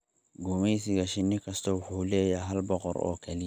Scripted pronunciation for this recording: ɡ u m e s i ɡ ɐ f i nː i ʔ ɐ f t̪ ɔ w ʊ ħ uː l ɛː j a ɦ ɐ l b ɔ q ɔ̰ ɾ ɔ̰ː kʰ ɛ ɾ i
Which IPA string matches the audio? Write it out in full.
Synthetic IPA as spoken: ɡ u m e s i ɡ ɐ ʃ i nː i k ɐ s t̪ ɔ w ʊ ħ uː l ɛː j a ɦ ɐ l b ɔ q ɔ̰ ɾ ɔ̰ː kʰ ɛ l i

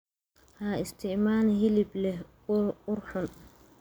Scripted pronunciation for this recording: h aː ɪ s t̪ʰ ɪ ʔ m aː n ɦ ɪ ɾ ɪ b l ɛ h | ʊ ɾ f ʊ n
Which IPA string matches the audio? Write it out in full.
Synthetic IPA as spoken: h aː ɪ s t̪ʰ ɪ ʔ m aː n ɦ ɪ l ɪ b l ɛ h | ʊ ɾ ħ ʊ n

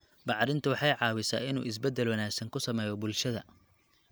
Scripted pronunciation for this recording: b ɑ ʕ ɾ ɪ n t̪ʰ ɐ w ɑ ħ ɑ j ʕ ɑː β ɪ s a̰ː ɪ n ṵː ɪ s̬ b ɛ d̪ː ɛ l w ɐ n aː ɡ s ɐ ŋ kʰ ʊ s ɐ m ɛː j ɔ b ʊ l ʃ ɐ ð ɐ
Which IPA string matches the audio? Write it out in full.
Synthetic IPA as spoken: b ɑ ʕ ɾ ɪ n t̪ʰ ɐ w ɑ ħ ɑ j ʕ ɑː w ɪ s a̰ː ɪ n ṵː ɪ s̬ b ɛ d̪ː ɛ l w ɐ n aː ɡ s ɐ ŋ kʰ ʊ s ɐ m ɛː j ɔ b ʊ l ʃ ɐ ð ɐ

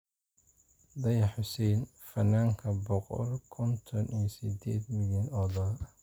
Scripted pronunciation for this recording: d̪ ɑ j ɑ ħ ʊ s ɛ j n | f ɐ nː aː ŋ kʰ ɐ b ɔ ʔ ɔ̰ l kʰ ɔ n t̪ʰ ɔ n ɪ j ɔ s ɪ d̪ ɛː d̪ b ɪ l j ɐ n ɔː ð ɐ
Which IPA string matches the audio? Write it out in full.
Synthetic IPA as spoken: d̪ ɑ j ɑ ħ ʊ s ɛ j n | f ɐ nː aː ŋ kʰ ɐ b ɔ q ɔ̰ l kʰ ɔ n t̪ʰ ɔ n i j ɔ s ɪ d̪ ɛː d̪ m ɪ l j ɐ n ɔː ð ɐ

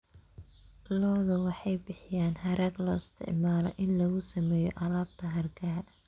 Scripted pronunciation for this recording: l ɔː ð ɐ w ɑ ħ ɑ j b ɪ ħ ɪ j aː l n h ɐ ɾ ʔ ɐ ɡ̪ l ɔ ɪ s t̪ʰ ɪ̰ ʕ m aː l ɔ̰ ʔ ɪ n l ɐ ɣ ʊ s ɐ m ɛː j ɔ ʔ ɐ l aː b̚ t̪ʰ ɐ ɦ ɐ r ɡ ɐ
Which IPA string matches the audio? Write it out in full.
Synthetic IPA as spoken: l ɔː ð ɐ w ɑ ħ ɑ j b ɪ ħ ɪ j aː n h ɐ ɾ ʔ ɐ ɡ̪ l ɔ ɪ s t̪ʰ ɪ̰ ʕ m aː l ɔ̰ ʔ ɪ n l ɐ ɣ ʊ s ɐ m ɛː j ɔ ʔ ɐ l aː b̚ t̪ʰ ɐ ɦ ɐ r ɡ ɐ

